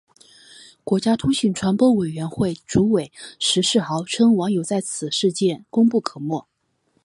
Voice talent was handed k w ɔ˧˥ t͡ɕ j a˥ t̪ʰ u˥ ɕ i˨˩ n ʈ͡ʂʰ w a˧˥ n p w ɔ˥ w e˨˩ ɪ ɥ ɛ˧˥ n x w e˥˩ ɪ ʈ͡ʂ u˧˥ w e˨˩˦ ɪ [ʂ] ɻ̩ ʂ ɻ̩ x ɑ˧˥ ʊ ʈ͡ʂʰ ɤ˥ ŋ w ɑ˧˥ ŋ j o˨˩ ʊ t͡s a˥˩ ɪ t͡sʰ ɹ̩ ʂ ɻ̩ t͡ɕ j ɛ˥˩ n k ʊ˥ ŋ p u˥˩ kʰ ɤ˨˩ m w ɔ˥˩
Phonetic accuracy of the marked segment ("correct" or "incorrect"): correct